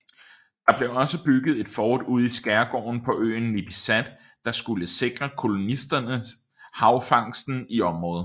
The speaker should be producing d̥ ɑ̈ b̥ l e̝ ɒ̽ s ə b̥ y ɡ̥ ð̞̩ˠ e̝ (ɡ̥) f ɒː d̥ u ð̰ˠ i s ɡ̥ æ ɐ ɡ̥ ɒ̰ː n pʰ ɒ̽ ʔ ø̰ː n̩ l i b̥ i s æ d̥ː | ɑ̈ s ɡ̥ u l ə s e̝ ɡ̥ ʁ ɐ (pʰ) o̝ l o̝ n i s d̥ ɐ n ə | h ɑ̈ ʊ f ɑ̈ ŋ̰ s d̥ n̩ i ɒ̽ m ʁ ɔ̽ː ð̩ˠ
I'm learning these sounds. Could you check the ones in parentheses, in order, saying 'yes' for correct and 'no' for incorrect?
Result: no, no

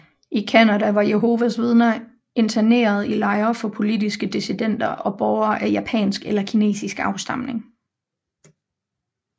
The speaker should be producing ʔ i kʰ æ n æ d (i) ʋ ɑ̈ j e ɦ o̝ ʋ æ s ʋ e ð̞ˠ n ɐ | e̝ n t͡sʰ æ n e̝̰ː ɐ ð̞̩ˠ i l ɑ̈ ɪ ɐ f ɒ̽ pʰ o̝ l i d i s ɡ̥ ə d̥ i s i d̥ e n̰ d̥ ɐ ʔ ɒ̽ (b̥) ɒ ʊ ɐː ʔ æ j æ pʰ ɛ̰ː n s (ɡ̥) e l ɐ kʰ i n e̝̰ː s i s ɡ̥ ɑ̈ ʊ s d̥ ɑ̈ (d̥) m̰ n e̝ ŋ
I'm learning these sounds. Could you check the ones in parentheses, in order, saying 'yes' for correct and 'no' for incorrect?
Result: no, yes, yes, no

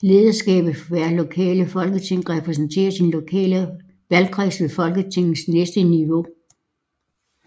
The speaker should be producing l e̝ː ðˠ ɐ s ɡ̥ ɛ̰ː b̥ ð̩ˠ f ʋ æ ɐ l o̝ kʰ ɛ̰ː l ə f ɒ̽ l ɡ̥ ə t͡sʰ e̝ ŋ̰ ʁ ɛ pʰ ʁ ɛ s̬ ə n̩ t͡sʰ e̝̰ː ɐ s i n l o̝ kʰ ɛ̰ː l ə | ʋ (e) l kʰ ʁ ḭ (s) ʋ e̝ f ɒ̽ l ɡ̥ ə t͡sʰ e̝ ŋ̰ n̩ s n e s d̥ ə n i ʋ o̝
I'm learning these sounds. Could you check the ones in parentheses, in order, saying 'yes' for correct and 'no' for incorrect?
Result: no, yes

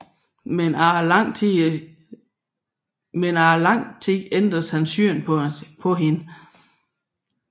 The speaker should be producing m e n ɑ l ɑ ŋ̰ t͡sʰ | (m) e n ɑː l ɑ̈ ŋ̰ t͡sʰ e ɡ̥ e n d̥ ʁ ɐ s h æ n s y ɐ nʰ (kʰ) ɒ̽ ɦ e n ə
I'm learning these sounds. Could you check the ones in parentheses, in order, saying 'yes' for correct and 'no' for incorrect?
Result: yes, no

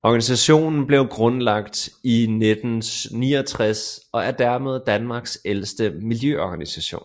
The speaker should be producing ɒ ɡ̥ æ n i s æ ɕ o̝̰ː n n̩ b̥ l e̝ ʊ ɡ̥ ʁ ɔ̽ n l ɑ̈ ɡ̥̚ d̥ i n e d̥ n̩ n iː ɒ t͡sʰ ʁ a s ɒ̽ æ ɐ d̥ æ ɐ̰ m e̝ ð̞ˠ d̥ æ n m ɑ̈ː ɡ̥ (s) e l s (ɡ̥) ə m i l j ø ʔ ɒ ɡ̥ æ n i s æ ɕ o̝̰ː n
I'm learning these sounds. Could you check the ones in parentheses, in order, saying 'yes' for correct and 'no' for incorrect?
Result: yes, no

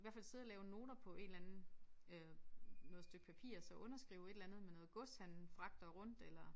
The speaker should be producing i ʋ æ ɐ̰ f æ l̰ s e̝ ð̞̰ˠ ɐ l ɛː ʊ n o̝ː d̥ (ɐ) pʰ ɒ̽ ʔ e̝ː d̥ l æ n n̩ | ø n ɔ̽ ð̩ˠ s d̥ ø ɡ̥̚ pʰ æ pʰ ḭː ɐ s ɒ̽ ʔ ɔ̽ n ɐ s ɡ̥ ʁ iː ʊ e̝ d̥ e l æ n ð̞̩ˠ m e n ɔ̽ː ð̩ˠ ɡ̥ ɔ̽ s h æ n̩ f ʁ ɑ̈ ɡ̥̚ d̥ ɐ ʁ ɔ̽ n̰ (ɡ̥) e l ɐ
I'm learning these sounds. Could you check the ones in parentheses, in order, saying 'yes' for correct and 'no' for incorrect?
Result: yes, no

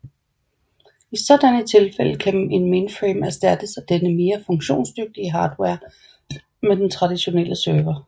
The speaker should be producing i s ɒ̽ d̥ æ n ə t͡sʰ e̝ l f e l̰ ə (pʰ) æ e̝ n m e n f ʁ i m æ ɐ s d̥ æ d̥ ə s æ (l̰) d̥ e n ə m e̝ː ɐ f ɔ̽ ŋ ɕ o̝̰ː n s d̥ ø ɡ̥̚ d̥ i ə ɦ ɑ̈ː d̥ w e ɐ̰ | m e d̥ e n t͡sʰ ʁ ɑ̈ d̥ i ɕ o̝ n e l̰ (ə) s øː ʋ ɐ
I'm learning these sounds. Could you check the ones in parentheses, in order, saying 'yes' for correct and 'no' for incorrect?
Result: no, no, yes

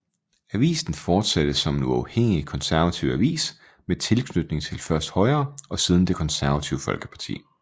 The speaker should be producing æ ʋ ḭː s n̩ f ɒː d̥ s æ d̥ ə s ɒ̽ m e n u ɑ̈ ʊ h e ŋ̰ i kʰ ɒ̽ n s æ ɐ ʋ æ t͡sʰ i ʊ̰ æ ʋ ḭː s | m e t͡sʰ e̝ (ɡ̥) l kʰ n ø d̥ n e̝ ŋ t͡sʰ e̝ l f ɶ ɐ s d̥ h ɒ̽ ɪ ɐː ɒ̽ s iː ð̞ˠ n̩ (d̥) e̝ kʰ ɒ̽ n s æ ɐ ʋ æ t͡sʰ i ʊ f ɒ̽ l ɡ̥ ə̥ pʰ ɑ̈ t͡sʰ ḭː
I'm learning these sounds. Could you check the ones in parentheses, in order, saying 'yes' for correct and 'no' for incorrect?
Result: no, yes

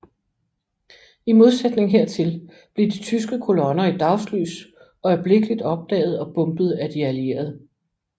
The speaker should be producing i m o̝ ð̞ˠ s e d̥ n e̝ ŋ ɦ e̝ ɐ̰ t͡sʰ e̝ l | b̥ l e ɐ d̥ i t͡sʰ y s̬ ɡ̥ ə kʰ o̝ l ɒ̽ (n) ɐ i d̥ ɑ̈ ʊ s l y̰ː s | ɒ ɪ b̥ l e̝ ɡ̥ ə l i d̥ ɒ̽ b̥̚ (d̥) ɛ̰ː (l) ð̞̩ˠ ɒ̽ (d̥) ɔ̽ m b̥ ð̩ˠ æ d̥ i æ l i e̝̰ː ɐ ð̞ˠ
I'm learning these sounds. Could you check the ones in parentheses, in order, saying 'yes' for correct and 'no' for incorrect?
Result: yes, yes, no, no

